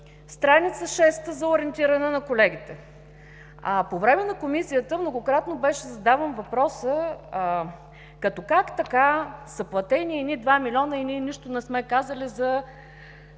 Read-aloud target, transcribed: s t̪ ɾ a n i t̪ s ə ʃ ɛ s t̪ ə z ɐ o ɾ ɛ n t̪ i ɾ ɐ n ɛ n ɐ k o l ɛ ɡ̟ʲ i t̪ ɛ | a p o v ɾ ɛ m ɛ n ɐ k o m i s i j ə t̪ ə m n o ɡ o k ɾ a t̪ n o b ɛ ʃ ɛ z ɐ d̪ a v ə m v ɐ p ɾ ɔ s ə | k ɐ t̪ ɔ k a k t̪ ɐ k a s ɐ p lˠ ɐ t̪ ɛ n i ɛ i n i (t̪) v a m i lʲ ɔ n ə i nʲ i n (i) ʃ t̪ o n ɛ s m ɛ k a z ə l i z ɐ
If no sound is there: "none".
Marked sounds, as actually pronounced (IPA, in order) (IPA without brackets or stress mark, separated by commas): d̪, i